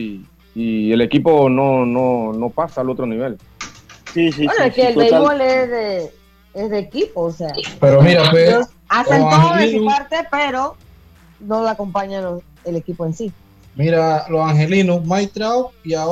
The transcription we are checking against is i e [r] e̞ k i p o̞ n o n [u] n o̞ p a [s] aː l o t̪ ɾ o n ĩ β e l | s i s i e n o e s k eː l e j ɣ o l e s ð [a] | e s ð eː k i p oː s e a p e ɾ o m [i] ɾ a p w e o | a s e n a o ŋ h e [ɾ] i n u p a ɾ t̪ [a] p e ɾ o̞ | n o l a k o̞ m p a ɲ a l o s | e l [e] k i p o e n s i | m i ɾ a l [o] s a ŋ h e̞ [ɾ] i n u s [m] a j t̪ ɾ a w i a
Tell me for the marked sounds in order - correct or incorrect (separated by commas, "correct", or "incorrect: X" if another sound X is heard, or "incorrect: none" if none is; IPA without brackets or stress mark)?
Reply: incorrect: l, incorrect: o, correct, incorrect: e, correct, incorrect: l, incorrect: e, correct, correct, incorrect: l, correct